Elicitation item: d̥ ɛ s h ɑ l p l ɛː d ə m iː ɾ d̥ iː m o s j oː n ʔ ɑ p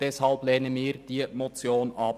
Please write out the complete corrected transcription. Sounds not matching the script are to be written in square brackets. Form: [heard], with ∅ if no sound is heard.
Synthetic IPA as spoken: d̥ ɛ s h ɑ l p l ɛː [n] ə m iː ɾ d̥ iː m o [t͡s] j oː n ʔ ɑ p